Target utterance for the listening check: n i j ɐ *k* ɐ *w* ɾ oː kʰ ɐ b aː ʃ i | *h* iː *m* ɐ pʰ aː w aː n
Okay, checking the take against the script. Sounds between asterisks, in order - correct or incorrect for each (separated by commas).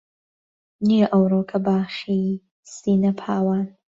incorrect, correct, incorrect, incorrect